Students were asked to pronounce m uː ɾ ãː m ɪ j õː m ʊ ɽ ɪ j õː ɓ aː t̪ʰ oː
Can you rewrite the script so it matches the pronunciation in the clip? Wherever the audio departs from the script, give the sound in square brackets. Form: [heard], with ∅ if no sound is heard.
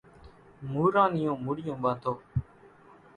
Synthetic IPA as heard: m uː ɾ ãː [n] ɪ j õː m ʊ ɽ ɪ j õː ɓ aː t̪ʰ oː